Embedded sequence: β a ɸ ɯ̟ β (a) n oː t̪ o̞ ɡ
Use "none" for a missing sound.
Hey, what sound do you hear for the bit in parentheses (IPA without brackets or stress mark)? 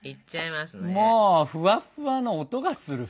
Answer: a